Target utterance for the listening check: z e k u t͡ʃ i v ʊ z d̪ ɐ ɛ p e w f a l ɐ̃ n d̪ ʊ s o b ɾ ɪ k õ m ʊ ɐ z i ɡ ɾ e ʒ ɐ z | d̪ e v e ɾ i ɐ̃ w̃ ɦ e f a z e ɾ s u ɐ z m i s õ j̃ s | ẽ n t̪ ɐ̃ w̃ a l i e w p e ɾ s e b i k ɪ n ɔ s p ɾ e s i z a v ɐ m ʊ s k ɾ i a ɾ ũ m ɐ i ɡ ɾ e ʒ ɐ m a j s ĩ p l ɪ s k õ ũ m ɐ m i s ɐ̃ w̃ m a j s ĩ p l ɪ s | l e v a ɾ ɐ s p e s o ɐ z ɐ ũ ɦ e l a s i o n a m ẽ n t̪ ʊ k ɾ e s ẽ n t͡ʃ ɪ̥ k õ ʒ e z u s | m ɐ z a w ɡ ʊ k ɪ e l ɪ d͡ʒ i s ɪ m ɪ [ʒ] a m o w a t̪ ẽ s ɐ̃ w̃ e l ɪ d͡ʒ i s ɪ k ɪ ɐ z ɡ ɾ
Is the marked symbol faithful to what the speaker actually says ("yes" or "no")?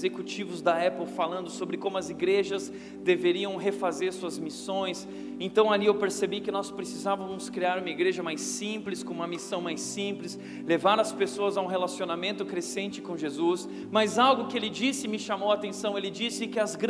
no